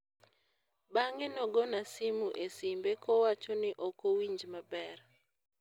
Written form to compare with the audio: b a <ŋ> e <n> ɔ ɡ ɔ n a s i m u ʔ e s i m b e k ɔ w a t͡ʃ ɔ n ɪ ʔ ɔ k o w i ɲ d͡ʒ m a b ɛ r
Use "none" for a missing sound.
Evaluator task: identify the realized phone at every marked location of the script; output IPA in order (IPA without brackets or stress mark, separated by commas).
ŋ, n